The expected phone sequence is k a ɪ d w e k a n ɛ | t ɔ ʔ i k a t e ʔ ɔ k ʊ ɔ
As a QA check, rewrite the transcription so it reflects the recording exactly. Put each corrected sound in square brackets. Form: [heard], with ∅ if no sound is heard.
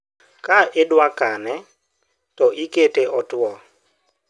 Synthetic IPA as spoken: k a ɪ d w [a] k a n ɛ | t ɔ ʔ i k [e] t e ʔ ɔ [t] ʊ ɔ

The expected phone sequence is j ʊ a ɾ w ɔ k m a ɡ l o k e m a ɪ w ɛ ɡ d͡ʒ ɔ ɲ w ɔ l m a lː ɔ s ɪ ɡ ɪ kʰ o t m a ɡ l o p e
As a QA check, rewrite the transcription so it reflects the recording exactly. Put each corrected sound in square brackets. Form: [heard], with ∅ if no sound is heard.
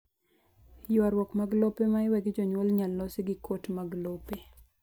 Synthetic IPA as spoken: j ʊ a ɾ w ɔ k m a ɡ l o [p] e m a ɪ w ɛ ɡ d͡ʒ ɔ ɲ w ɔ l [ɲ] a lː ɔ s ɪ ɡ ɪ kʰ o t m a ɡ l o p e

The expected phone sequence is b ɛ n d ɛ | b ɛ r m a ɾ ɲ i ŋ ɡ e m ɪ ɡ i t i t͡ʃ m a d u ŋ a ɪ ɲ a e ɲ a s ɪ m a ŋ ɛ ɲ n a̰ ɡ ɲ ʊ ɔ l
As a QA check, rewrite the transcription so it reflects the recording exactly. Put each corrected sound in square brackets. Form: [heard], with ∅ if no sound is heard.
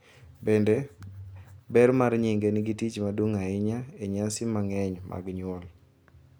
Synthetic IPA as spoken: b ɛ n d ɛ | b ɛ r m a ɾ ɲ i ŋ ɡ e [n] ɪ ɡ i t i t͡ʃ m a d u ŋ a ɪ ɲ a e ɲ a s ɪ m a ŋ ɛ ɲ [m] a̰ ɡ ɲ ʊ ɔ l

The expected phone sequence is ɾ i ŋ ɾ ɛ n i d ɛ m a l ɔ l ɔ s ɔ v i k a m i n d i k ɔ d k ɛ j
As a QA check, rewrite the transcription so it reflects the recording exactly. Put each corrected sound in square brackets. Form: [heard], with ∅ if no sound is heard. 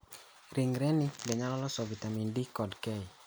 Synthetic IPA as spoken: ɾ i ŋ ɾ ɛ n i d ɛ [ɲ] a l ɔ l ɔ s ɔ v i [t] a m i n d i k ɔ d k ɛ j

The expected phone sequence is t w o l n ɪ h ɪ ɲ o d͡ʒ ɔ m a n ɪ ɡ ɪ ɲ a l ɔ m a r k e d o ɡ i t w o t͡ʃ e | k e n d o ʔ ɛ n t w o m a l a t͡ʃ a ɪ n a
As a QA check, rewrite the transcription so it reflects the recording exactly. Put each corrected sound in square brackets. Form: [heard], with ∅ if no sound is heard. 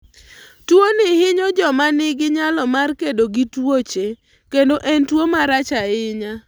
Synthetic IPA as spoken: t w o [∅] n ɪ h ɪ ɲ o d͡ʒ ɔ m a n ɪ ɡ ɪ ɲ a l ɔ m a r k e d o ɡ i t w o t͡ʃ e | k e n d o ʔ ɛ n t w o m a [ɾ] a t͡ʃ a ɪ [ɲ] a

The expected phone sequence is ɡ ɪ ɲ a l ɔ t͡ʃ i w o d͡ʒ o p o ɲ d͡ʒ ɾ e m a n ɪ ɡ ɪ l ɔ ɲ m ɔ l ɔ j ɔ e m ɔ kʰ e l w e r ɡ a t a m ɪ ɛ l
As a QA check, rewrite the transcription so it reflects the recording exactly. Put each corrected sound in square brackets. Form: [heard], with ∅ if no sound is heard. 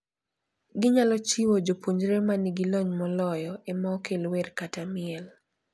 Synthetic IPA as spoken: ɡ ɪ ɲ a l ɔ t͡ʃ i w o d͡ʒ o p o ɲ d͡ʒ ɾ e m a n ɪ ɡ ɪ l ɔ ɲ m ɔ l ɔ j ɔ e m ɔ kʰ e l w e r [k] a t a m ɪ ɛ l

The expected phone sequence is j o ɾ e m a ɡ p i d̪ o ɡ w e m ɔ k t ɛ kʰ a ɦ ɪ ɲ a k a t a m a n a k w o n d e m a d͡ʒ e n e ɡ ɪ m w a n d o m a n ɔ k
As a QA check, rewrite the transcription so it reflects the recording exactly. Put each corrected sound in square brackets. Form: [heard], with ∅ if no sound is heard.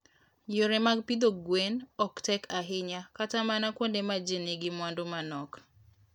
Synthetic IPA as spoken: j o ɾ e m a ɡ p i d̪ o ɡ w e [n] ɔ k t ɛ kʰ a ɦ ɪ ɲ a k a t a m a n a k w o n d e m a d͡ʒ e n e ɡ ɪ m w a n d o m a n ɔ k

